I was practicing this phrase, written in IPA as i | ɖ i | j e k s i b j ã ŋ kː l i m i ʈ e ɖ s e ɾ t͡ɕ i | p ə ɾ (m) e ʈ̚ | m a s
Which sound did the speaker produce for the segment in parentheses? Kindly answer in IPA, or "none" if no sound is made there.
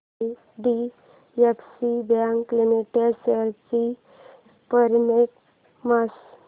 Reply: m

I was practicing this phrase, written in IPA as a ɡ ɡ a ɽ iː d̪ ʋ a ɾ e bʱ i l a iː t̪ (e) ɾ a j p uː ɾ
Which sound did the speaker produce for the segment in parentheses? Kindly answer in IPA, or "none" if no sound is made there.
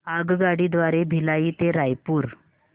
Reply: e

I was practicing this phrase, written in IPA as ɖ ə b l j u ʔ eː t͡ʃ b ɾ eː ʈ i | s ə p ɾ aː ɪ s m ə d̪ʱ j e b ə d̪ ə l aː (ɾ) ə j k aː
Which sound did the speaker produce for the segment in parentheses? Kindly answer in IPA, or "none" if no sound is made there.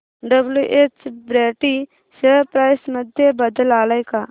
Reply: l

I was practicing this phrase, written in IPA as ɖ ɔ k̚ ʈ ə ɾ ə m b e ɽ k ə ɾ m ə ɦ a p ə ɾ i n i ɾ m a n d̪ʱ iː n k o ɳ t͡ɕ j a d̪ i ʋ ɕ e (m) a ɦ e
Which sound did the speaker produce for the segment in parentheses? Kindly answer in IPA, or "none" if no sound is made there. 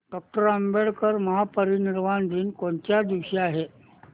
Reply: none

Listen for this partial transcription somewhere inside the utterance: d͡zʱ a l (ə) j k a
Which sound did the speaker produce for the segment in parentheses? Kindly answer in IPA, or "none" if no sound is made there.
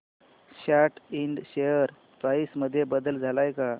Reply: a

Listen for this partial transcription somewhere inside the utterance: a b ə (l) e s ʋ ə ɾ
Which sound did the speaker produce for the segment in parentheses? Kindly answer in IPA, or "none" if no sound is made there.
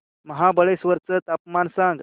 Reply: ɭ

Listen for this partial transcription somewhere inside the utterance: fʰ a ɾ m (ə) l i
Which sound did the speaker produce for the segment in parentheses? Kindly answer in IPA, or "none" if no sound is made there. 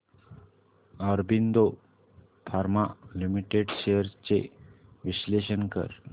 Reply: a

